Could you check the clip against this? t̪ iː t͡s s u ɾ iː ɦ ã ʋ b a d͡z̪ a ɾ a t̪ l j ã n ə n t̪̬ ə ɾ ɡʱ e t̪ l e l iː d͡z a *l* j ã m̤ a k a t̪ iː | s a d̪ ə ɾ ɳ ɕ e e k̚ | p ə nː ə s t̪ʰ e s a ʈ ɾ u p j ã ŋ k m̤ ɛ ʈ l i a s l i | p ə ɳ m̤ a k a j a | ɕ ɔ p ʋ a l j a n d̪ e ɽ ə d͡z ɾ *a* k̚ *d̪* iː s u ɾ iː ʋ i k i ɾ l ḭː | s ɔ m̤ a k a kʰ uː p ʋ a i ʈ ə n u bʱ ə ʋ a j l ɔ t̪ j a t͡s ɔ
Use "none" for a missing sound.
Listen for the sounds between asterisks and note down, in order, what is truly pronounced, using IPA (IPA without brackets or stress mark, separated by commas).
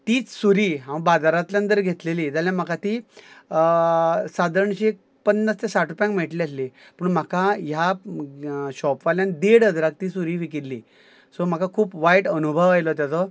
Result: l, a, t̪